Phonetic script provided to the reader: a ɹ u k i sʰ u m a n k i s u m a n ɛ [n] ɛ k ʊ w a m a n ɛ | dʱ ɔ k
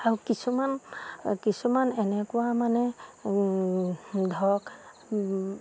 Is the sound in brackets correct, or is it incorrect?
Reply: correct